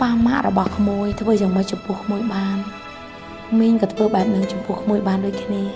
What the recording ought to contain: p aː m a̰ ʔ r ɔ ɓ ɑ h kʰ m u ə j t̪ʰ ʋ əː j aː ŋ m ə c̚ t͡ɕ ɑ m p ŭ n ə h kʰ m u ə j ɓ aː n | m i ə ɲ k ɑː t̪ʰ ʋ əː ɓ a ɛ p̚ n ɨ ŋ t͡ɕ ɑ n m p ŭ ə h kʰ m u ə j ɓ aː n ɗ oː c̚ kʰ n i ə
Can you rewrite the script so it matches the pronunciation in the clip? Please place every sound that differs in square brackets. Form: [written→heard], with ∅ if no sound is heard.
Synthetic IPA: p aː m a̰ ʔ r ɔ ɓ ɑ h kʰ m u ə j t̪ʰ ʋ əː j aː ŋ m ə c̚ t͡ɕ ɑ m p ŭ [n→∅] ə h kʰ m u ə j ɓ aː n | m i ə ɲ k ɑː t̪ʰ ʋ əː ɓ a ɛ p̚ n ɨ ŋ t͡ɕ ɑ [n→∅] m p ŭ ə h kʰ m u ə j ɓ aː n ɗ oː c̚ kʰ n i ə